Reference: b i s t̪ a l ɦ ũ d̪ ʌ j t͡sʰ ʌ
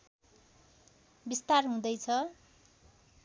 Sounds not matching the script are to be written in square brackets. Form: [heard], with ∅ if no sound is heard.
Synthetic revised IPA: b i s t̪ a [r] ɦ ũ d̪ ʌ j t͡sʰ ʌ